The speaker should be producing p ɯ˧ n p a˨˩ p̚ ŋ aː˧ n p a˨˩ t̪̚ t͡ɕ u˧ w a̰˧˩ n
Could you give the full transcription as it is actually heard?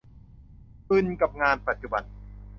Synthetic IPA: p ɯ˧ n k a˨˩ p̚ ŋ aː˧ n p a˨˩ t̪̚ t͡ɕ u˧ b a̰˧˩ n